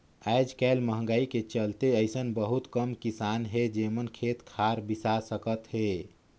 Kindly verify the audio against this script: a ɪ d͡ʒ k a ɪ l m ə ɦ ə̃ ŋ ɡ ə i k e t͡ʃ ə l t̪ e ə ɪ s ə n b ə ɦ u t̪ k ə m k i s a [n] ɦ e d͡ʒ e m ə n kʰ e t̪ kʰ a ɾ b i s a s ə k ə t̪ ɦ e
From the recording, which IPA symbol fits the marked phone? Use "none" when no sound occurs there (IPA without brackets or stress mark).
n